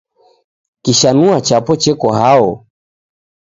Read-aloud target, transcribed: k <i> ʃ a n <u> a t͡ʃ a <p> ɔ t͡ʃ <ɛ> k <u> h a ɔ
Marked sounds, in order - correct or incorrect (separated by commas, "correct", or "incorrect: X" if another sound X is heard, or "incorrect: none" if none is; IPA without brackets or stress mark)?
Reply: correct, correct, correct, correct, incorrect: ɔ